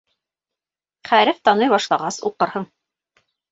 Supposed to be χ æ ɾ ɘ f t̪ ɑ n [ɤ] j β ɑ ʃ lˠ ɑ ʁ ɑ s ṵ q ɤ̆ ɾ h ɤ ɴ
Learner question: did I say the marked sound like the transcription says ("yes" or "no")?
yes